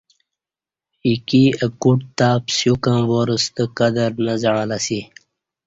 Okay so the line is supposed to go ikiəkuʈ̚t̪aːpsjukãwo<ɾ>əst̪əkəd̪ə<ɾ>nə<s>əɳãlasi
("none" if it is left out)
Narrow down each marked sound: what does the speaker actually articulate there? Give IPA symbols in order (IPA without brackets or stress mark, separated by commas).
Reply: ɾ, ɾ, z